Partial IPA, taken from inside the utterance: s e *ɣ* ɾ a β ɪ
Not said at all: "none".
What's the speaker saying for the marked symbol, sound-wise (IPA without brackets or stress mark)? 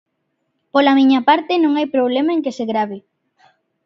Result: ɣ